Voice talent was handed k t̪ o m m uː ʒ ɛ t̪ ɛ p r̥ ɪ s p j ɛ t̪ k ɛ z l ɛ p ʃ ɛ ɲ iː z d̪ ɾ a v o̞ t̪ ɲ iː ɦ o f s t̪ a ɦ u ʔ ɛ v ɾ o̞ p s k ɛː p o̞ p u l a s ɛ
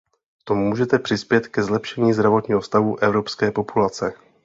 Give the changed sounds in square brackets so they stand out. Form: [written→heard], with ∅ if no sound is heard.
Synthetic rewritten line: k t̪ o m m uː ʒ ɛ t̪ ɛ p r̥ ɪ s p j ɛ t̪ k ɛ z l ɛ p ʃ ɛ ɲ iː z d̪ ɾ a v o̞ t̪ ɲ iː ɦ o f s t̪ a ɦ u ʔ ɛ v ɾ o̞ p s k ɛː p o̞ p u l a [s→t͡s] ɛ